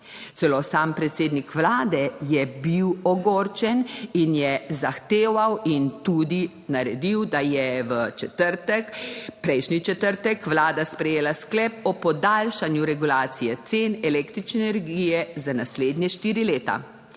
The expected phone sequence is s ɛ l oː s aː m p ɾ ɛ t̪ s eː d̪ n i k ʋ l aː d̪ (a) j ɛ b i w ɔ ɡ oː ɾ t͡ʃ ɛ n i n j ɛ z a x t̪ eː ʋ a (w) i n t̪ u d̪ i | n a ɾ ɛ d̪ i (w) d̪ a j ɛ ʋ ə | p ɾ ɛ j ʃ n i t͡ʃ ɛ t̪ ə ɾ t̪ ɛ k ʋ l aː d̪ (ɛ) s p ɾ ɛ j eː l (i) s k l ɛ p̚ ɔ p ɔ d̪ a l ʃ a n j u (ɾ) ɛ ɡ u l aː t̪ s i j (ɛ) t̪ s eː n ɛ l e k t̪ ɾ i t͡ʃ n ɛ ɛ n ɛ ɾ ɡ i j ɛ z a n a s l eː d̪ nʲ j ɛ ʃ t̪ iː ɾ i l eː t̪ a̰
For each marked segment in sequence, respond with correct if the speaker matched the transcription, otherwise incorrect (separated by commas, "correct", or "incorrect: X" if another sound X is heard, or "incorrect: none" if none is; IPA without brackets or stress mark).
incorrect: ɛ, correct, correct, incorrect: a, incorrect: a, correct, correct